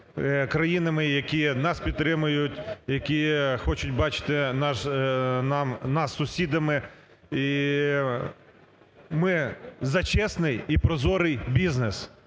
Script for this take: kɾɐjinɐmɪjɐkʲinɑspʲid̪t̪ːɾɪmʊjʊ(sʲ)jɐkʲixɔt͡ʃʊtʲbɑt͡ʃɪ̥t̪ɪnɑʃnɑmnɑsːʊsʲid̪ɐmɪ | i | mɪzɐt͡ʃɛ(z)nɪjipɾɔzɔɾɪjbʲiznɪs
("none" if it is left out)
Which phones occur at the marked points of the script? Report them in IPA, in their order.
tʲ, s

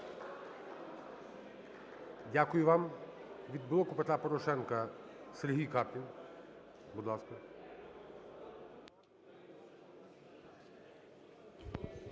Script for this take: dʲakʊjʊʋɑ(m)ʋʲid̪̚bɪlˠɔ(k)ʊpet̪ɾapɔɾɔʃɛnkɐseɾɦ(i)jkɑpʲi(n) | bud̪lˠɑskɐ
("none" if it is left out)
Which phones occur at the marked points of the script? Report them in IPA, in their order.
m, k, i, n

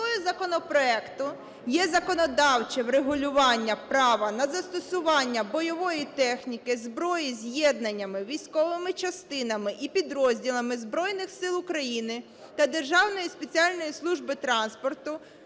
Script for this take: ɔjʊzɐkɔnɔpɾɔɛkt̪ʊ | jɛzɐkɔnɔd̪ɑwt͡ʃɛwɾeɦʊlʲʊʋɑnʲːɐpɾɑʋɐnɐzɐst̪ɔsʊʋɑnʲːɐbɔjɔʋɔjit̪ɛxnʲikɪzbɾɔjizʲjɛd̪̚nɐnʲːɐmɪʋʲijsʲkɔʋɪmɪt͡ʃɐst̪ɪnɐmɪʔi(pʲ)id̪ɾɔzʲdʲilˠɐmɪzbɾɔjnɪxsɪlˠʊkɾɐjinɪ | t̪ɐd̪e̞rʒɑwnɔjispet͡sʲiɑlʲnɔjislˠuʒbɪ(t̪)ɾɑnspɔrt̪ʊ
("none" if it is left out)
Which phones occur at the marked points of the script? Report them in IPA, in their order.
pʲ, t̪

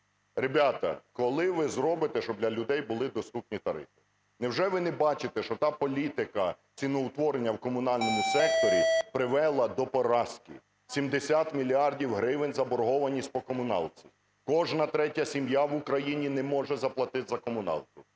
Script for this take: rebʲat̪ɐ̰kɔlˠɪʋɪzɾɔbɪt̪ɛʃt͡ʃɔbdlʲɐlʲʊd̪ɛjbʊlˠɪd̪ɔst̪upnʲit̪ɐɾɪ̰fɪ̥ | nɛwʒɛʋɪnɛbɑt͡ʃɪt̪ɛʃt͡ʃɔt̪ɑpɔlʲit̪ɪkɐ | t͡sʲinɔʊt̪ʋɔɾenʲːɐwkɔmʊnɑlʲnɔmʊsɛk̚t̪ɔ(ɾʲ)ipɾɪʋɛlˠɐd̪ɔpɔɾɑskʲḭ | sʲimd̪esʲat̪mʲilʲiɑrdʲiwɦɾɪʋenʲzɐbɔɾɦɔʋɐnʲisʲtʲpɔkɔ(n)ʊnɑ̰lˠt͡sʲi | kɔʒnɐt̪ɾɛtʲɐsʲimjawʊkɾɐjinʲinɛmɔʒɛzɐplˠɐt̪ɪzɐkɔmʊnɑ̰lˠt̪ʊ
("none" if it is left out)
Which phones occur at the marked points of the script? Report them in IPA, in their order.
ɾʲ, m

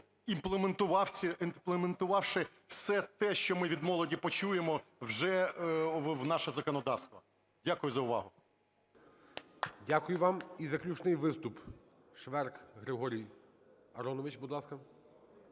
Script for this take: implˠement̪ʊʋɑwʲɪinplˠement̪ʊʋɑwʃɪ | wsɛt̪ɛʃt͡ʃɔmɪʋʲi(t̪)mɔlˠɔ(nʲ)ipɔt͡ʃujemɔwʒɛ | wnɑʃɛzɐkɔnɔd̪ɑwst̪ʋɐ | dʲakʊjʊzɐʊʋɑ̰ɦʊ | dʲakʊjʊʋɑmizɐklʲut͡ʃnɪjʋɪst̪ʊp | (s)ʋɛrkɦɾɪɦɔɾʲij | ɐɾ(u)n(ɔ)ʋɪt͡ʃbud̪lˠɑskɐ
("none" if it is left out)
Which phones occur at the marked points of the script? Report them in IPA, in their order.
d̪, dʲ, ʃ, ɔ, ɔ

